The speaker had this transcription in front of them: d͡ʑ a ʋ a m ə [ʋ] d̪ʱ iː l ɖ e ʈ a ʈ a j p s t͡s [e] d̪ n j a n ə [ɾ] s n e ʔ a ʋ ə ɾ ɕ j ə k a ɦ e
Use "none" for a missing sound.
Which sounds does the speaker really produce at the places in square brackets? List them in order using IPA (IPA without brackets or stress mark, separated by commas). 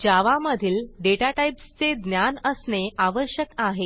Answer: none, e, none